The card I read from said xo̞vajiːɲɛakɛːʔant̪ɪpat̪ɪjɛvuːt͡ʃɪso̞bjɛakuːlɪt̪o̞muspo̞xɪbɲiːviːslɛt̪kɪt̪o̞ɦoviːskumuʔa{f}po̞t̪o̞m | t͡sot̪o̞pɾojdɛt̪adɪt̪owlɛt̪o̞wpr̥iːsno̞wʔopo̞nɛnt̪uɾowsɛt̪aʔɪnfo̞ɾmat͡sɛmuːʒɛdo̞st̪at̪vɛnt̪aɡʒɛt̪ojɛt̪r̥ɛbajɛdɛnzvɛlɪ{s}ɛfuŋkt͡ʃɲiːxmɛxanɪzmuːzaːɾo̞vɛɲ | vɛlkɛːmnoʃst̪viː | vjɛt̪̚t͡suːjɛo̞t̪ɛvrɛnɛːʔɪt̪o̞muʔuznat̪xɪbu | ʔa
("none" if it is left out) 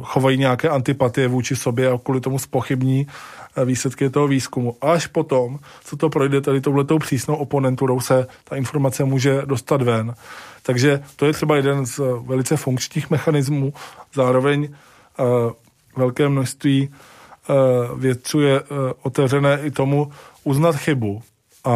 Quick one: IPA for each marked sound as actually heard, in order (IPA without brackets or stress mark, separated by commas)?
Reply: ʃ, t͡s